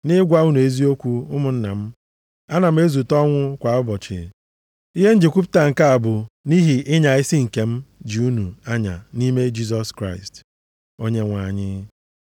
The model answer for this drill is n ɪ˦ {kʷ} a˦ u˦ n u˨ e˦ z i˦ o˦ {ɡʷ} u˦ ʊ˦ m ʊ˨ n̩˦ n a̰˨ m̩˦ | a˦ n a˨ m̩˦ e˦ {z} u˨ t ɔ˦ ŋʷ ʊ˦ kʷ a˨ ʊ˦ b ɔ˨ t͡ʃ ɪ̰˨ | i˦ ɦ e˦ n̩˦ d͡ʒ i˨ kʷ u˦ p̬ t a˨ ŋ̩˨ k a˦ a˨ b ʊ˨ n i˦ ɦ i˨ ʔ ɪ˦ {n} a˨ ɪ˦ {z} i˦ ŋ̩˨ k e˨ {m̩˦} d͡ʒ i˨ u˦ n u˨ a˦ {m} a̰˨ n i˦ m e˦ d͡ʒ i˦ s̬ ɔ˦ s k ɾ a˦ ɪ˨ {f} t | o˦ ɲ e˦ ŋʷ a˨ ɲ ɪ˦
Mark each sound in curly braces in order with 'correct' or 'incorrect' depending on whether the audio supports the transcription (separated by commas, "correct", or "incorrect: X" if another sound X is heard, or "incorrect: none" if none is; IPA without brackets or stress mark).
incorrect: ɡʷ, incorrect: kʷ, correct, incorrect: ɲ, incorrect: s, correct, incorrect: ɲ, incorrect: s